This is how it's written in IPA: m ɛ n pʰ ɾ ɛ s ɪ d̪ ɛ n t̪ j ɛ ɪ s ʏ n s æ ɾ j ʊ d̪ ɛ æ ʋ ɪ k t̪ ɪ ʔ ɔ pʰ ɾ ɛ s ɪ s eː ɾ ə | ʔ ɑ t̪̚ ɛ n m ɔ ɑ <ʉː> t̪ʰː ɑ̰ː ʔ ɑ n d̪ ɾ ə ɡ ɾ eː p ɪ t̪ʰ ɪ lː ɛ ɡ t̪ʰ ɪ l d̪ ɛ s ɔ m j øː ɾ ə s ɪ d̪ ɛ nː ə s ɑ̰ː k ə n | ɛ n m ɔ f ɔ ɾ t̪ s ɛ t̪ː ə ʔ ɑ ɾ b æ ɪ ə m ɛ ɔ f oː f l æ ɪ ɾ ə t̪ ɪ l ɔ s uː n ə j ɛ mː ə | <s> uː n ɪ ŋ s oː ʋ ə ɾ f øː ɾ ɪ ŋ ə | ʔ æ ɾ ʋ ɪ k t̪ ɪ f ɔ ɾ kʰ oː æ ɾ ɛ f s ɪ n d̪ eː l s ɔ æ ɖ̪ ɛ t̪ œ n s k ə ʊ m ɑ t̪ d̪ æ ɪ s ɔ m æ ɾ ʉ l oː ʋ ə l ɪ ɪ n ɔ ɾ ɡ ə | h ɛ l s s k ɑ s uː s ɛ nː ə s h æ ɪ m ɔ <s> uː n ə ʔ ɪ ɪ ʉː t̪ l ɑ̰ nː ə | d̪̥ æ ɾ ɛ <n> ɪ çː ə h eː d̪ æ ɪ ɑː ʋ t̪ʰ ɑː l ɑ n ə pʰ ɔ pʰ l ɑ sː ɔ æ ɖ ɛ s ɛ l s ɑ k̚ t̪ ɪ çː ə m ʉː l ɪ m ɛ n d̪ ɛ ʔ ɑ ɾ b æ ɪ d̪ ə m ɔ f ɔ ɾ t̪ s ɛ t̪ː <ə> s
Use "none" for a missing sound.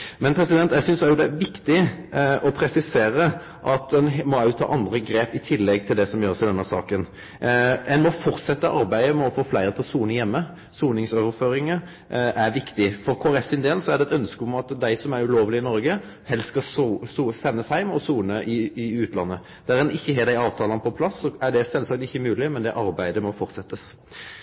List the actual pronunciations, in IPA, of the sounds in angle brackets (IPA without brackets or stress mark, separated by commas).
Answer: ʉ, s, s, n, ə